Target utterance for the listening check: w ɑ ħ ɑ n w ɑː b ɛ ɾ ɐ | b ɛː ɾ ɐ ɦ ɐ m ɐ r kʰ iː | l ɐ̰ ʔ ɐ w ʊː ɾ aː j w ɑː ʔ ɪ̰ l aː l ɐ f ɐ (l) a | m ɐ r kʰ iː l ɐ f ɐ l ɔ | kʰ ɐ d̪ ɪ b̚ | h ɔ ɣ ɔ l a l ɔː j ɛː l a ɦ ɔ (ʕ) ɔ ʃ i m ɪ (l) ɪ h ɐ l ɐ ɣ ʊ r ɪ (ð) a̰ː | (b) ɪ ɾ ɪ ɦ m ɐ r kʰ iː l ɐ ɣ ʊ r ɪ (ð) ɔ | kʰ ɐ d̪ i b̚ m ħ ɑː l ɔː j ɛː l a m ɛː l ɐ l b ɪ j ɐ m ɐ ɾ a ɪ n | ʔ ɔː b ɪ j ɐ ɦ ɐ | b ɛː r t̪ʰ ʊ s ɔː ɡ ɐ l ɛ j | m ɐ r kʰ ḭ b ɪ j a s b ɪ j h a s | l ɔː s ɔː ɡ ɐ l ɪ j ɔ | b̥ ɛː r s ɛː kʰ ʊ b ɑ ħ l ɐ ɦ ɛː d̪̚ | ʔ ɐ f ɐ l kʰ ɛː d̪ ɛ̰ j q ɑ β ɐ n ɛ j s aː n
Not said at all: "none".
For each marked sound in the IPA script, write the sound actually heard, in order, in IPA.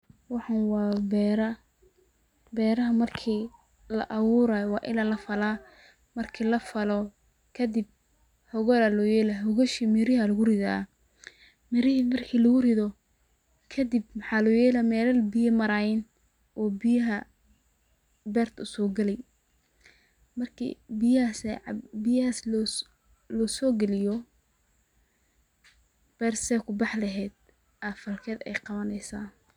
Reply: l, ɣ, ɾ, ð, m, ð

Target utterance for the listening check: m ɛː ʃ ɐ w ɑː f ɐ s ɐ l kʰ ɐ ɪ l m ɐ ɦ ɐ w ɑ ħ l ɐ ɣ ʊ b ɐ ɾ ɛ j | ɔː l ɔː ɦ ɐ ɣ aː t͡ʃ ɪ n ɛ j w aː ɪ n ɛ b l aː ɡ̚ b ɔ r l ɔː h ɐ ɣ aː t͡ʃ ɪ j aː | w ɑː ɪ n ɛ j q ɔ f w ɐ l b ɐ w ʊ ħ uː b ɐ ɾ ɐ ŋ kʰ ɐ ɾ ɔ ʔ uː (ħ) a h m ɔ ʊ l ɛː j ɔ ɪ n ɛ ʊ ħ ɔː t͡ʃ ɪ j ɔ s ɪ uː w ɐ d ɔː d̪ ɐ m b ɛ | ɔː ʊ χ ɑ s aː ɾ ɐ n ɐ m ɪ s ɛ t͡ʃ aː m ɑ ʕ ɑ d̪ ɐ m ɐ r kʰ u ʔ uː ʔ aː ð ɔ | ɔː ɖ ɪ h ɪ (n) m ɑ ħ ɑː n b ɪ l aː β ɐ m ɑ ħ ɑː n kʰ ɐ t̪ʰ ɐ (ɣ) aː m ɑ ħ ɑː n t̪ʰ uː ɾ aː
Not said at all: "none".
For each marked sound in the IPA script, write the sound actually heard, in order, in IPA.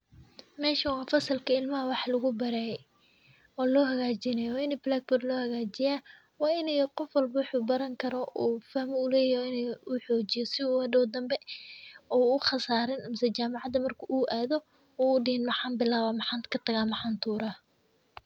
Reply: f, n, ɣ

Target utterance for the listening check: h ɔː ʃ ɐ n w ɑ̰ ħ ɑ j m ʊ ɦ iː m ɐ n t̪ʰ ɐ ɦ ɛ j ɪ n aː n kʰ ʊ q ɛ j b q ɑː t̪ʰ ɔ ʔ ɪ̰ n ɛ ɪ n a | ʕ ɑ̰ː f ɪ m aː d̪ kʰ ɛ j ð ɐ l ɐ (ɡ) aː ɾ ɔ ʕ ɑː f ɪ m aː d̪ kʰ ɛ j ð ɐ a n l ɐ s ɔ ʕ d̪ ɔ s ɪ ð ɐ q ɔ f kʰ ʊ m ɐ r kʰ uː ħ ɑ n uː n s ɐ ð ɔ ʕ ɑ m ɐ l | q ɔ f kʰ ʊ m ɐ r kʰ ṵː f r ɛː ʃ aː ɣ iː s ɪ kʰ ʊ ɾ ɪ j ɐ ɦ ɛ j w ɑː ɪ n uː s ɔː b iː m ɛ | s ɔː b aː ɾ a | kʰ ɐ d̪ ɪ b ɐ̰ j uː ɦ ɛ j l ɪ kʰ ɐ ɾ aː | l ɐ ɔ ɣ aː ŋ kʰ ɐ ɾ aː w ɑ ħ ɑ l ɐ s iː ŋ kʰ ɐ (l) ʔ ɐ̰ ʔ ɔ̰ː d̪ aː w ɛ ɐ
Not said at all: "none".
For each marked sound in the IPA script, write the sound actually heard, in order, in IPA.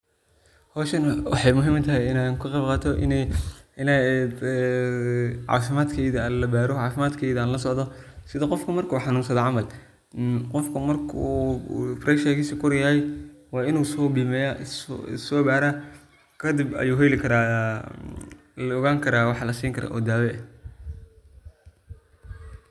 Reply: b, ɾ

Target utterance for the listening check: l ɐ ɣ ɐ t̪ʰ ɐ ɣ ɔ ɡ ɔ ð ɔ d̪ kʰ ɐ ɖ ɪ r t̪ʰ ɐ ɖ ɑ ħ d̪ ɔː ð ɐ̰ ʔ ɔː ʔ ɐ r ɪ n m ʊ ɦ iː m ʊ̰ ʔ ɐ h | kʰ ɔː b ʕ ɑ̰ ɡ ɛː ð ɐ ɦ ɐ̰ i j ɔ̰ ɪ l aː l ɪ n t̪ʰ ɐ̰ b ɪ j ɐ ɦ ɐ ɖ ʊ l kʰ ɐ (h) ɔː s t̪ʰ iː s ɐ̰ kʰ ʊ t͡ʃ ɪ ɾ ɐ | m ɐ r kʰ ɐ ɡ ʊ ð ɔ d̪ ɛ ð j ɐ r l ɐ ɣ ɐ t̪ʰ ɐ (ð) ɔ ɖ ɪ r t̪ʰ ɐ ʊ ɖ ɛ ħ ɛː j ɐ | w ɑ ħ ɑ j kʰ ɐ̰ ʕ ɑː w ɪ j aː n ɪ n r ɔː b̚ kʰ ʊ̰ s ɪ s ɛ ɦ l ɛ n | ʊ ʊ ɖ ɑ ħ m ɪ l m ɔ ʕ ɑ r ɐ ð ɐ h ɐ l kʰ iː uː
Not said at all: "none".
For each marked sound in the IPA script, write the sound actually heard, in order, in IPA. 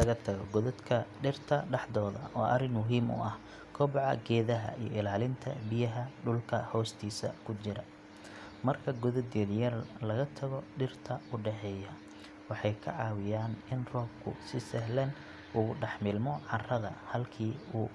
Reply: h, ɣ

